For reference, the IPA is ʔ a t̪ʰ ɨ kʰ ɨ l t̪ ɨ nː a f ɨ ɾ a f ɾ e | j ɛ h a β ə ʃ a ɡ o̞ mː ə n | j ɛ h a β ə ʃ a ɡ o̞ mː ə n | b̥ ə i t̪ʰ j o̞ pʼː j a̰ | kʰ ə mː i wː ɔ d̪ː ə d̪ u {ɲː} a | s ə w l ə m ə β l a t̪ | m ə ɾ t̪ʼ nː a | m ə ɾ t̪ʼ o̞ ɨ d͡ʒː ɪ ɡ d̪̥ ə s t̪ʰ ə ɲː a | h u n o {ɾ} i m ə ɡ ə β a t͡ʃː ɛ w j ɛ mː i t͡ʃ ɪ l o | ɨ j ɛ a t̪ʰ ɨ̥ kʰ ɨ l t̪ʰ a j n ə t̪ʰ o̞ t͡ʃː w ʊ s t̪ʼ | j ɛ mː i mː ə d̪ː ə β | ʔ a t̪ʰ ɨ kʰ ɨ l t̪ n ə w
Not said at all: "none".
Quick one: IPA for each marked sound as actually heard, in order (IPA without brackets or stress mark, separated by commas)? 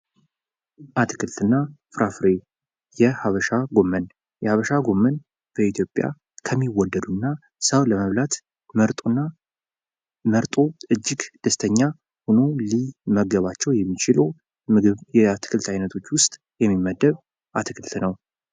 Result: nː, l